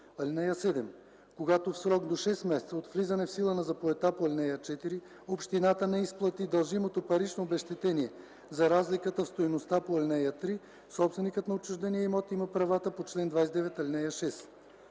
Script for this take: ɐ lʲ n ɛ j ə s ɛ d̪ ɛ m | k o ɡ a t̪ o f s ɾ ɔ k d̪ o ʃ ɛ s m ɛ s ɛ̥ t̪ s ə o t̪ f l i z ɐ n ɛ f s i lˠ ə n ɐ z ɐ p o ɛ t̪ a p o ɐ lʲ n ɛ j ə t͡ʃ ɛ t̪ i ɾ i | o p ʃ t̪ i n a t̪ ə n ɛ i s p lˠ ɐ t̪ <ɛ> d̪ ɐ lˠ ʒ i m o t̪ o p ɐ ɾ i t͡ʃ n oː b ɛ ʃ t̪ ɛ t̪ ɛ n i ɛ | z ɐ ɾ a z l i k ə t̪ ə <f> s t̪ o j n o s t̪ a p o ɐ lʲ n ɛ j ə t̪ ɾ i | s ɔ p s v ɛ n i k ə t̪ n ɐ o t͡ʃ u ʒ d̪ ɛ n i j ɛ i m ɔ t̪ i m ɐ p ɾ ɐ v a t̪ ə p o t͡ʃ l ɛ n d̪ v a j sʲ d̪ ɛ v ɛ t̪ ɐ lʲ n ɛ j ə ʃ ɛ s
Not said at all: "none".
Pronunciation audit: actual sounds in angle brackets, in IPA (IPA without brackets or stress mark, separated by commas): i, f